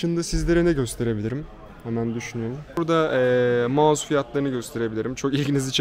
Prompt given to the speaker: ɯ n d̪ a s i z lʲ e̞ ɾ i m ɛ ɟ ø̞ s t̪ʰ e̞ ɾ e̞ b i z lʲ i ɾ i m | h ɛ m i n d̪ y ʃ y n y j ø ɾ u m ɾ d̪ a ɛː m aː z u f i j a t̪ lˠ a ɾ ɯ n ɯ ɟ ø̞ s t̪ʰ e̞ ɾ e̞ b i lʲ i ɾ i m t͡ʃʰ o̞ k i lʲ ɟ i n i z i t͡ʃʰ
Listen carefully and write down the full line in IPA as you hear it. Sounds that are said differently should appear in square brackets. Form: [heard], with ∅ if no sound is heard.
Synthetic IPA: ɯ n d̪ a s i z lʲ e̞ ɾ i [n] ɛ ɟ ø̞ s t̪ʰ e̞ ɾ e̞ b i [∅] lʲ i ɾ i m | h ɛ m [æ] n d̪ y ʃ y n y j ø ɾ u m ɾ d̪ a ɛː m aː z u f i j a t̪ lˠ a ɾ ɯ n ɯ ɟ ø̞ s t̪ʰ e̞ ɾ e̞ b i lʲ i ɾ i m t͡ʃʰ o̞ k i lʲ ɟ i n i z i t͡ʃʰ